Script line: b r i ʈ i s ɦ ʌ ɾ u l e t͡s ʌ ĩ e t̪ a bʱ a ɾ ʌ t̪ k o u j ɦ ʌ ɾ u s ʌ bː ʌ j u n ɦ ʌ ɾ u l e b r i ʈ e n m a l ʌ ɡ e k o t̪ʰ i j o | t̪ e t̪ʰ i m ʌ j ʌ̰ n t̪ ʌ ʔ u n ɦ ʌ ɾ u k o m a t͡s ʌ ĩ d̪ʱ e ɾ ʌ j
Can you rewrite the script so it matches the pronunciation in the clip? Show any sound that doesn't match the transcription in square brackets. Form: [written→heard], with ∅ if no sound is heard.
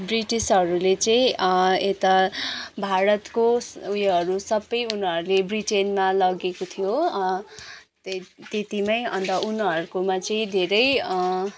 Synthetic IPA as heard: b r i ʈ i s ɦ ʌ ɾ u l e t͡s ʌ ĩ e t̪ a bʱ a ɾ ʌ t̪ k o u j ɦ ʌ ɾ u s ʌ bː ʌ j u n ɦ ʌ ɾ u l e b r i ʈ e n m a l ʌ ɡ e k o t̪ʰ i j o | t̪ e [t̪ʰ→t̪] i m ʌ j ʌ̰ n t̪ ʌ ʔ u n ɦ ʌ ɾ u k o m a t͡s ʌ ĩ d̪ʱ e ɾ ʌ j